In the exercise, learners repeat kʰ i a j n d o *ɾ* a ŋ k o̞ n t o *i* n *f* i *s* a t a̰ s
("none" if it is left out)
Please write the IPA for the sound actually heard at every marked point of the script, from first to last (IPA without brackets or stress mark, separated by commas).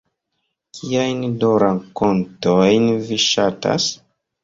ɾ, j, v, ʃ